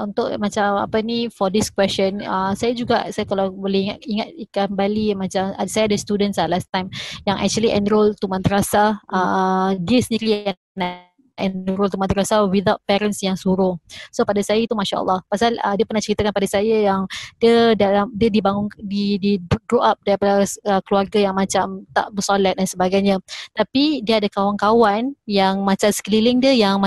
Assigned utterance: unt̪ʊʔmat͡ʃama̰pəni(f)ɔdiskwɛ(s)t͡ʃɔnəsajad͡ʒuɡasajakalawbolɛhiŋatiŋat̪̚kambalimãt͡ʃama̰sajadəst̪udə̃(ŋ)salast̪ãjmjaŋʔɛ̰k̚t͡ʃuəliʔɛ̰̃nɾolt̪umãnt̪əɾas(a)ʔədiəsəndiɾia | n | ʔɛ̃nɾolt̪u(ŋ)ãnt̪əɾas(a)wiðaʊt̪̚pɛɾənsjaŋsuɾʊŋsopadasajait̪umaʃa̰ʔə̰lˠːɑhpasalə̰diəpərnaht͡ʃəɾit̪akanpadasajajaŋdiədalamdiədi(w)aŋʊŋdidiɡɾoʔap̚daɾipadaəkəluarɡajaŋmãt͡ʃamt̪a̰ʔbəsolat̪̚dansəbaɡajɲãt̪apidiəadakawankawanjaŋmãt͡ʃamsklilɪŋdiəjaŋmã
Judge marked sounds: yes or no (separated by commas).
yes, yes, no, yes, no, yes, no